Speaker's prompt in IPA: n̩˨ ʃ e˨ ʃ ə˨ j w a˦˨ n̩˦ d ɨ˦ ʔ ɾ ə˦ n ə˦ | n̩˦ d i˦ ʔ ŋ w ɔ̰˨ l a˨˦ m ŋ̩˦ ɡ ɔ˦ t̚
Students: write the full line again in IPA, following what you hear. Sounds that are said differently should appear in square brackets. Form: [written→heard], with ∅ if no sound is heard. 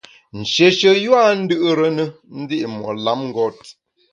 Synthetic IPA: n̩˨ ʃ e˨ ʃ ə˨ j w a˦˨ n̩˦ d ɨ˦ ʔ ɾ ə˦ n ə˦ | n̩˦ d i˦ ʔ [ŋ→m] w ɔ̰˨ l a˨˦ m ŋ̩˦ ɡ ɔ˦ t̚

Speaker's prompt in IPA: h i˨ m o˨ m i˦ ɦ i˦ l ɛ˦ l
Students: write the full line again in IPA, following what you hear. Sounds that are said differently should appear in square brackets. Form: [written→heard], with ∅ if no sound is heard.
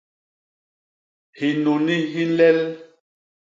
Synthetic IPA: h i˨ [m→n] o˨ [m→n] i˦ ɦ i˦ l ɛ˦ l

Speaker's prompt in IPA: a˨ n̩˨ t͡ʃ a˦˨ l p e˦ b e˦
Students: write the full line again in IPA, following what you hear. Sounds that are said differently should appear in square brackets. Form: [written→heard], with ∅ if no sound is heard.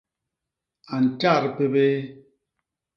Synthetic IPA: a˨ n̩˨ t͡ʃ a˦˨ [l→ɾ] p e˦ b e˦

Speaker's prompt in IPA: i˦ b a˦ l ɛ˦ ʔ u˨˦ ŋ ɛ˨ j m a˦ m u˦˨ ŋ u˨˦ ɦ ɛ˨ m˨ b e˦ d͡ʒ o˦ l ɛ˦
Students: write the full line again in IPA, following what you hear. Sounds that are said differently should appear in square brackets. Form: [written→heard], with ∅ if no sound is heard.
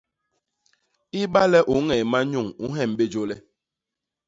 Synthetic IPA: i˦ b a˦ l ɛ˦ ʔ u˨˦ ŋ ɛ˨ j m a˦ [m→ɲ] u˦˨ ŋ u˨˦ ɦ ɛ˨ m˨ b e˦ d͡ʒ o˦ l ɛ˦

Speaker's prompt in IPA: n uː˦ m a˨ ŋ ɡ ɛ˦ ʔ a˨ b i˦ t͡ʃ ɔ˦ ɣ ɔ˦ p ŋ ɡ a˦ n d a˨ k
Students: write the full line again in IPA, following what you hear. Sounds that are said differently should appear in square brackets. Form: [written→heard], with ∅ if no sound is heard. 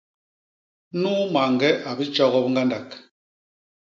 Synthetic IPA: n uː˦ m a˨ ŋ ɡ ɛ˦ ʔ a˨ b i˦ t͡ʃ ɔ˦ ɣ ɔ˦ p ŋ ɡ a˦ n d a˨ k

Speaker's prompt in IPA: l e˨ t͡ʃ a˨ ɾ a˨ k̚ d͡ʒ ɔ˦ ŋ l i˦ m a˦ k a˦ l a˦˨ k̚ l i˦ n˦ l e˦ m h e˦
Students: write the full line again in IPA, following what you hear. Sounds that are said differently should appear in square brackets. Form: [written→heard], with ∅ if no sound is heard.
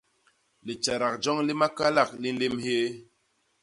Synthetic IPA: l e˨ t͡ʃ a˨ ɾ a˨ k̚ d͡ʒ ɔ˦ ŋ l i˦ m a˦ k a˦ l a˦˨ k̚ l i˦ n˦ l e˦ m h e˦

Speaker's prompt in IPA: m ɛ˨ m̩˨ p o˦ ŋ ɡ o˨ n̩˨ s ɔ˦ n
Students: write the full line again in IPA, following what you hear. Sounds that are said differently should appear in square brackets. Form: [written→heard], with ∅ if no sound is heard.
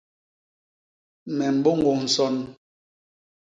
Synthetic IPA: m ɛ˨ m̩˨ [p→b] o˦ ŋ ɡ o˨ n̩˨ s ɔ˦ n

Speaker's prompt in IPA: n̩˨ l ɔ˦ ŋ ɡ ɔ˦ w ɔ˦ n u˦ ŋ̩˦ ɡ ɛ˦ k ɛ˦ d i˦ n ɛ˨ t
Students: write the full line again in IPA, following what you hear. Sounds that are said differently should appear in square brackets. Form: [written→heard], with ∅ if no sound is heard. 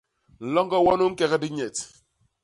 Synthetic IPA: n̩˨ l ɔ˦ ŋ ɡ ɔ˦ w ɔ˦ n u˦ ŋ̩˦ [ɡ→k] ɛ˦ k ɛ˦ d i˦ [n→ɲ] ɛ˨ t

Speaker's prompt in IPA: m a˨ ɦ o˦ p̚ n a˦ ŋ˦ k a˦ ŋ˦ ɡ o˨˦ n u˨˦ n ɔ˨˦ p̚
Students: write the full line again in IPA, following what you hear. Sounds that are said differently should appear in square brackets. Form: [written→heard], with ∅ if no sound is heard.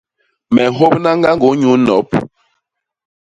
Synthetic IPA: m [a˨→ɛ˨] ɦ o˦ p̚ n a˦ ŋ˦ [k→ɡ] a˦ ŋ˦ ɡ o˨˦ [n→ɲ] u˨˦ n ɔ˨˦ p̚

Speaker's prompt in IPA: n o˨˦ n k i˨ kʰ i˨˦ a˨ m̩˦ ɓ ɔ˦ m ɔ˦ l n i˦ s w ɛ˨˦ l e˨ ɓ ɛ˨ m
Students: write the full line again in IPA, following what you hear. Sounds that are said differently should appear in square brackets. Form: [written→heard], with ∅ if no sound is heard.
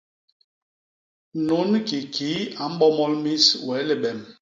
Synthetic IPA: n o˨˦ n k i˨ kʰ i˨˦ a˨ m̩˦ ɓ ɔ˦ m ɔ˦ l [n→m] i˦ s w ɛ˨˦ l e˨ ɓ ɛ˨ m

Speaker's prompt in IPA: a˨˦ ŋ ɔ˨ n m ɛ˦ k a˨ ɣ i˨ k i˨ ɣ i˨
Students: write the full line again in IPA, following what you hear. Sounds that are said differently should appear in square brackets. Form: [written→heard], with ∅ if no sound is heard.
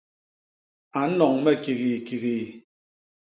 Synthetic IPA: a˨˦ [ŋ→n] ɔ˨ [n→ŋ] m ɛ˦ k [a˨→i˨] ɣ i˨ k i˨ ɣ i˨

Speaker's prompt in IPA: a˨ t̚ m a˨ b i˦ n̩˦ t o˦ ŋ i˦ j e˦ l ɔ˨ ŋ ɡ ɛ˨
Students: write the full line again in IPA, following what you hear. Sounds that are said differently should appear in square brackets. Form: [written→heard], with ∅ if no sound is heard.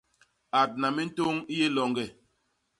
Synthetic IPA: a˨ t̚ [m→n] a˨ [b→m] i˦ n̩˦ t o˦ ŋ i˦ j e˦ l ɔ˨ ŋ ɡ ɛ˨

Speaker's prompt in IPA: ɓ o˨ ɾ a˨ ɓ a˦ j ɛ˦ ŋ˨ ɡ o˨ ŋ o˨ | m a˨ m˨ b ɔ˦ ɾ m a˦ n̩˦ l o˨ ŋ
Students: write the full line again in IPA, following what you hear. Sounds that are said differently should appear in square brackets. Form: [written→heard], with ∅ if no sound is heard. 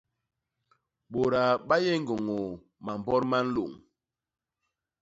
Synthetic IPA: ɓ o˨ ɾ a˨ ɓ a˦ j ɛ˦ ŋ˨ ɡ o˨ ŋ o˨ | m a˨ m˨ b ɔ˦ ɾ m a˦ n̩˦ l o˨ ŋ

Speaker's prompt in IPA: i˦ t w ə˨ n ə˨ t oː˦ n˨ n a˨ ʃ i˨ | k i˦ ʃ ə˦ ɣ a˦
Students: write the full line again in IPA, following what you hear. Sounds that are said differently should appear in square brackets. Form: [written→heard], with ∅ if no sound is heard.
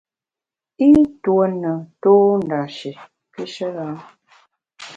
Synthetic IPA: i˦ t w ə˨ n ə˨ t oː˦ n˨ [n→d] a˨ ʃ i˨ | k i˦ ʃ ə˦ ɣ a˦

